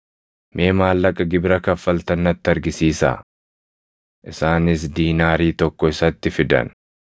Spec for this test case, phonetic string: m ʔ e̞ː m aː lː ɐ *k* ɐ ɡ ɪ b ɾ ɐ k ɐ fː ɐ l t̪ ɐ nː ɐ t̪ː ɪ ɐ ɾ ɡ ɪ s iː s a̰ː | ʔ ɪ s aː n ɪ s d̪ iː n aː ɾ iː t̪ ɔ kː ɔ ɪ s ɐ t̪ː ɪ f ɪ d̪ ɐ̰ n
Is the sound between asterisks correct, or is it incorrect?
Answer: incorrect